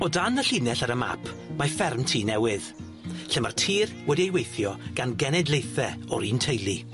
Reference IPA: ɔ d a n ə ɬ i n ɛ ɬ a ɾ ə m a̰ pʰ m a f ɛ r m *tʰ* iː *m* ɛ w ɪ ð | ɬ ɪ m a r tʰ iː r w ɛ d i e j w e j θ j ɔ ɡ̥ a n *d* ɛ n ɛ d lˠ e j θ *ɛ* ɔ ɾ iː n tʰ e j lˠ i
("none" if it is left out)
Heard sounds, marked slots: tʰ, n, ɡ, ɛ

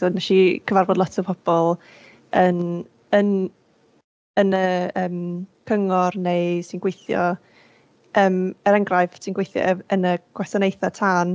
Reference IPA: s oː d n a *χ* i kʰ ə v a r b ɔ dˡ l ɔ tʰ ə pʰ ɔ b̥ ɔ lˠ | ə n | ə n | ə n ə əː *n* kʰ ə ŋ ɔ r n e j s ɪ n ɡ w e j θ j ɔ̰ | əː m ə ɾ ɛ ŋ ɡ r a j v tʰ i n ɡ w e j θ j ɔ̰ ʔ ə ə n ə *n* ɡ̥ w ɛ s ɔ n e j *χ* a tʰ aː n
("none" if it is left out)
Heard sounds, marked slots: ʃ, m, none, θ

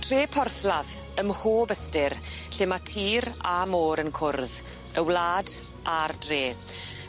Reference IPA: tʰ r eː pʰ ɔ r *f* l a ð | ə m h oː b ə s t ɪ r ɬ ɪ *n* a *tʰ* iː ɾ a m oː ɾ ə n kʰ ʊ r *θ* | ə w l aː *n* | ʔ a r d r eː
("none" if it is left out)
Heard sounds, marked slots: θ, m, tʰ, ð, d

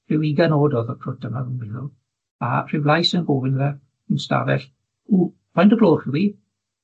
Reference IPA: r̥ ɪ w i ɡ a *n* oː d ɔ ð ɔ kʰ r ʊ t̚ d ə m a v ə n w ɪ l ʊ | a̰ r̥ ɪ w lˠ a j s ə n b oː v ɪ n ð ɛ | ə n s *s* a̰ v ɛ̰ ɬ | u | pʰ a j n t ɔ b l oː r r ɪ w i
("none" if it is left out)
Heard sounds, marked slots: n, t

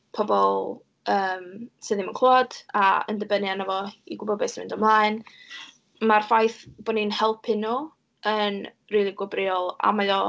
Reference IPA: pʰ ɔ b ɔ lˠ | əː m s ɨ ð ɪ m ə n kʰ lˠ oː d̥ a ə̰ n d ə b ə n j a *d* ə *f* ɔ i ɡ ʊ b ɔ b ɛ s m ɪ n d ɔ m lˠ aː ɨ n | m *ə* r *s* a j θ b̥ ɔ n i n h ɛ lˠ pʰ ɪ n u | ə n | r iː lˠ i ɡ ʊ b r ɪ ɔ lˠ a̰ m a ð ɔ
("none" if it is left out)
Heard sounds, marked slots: n, v, a, f

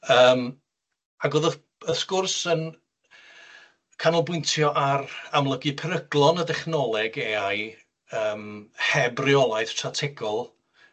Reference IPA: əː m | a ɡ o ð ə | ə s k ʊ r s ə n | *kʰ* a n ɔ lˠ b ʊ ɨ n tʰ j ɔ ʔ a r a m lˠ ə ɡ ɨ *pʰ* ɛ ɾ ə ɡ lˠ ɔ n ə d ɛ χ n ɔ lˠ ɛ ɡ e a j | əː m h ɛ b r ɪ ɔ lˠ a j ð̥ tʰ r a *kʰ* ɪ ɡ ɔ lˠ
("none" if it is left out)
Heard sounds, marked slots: kʰ, pʰ, tʰ

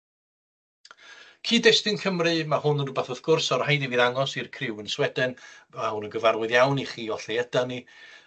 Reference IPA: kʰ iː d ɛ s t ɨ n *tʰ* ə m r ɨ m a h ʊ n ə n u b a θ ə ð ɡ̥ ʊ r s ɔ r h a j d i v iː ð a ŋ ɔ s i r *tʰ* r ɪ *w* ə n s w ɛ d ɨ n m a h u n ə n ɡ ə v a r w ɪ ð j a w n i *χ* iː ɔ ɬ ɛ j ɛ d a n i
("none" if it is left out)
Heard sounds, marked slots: kʰ, kʰ, w, χ

